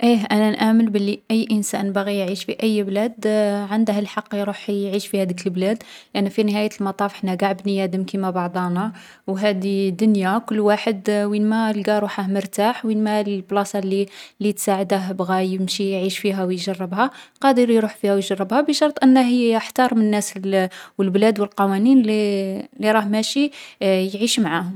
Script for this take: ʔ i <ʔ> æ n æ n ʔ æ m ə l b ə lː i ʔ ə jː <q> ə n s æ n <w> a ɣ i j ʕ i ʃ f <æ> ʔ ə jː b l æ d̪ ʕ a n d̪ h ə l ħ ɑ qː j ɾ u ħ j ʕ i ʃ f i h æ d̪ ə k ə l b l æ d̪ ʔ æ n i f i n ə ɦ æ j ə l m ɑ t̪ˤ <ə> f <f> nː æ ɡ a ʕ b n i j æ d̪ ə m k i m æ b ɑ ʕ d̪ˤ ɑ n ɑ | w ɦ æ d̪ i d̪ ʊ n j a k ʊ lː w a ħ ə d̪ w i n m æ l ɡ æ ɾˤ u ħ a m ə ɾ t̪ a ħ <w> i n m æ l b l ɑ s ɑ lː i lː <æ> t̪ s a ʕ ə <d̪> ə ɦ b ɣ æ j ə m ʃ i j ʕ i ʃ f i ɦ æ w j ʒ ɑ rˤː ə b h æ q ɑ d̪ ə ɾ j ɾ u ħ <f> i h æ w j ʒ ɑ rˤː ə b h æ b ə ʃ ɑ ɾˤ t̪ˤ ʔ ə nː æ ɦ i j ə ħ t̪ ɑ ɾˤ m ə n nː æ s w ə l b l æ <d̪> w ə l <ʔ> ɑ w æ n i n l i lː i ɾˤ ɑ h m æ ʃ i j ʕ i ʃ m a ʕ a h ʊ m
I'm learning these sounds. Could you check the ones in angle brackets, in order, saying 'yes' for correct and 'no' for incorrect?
yes, no, no, no, no, no, yes, no, yes, yes, yes, no

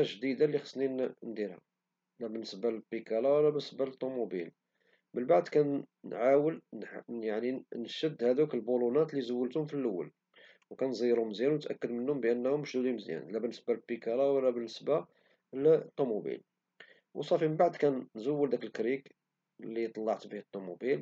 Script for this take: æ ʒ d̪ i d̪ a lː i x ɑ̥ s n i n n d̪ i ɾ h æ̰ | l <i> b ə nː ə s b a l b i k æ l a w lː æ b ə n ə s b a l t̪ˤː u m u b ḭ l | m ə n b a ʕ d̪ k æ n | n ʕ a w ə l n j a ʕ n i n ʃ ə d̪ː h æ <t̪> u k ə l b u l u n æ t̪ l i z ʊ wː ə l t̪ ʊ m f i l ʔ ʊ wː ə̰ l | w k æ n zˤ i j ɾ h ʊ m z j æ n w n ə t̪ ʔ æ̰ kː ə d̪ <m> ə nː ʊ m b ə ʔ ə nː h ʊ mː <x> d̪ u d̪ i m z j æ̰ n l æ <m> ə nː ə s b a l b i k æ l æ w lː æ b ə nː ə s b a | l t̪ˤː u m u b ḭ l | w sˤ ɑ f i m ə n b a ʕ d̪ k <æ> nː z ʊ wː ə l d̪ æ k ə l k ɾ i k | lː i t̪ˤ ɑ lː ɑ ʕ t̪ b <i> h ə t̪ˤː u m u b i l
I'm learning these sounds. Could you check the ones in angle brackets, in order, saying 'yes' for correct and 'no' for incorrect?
no, no, yes, no, no, yes, yes

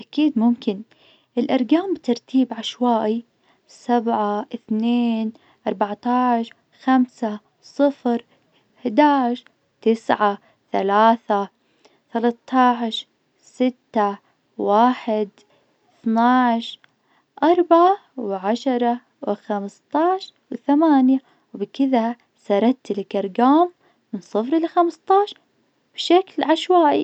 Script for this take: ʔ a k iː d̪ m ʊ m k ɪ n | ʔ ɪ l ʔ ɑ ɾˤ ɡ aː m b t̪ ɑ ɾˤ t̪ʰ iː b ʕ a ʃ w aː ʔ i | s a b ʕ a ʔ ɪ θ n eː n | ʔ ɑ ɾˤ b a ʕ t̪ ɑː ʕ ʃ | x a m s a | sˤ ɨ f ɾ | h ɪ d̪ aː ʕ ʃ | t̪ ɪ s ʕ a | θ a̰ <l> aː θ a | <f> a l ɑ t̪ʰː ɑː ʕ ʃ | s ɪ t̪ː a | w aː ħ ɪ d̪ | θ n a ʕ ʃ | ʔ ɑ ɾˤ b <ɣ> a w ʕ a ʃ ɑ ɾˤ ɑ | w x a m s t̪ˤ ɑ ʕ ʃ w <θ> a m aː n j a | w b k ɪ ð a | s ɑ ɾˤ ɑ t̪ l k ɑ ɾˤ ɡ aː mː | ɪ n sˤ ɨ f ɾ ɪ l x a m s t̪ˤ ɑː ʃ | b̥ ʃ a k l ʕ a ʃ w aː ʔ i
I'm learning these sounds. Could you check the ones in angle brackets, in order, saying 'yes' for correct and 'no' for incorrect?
yes, no, no, yes

